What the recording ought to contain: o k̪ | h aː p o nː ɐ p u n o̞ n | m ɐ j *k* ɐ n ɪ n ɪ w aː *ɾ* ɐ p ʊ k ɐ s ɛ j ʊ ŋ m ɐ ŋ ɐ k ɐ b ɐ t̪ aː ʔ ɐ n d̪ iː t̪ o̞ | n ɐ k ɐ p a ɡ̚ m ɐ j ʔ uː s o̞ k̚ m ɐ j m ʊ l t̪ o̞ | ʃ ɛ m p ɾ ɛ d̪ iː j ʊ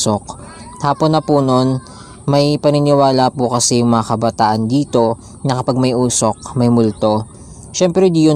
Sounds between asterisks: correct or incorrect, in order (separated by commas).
incorrect, incorrect